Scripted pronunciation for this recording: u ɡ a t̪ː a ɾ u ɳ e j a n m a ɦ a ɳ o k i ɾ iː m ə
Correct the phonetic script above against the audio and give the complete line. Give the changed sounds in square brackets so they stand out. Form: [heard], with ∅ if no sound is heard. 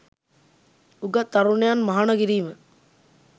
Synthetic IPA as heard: u ɡ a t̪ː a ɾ u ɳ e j a n m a ɦ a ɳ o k i ɾ iː m ə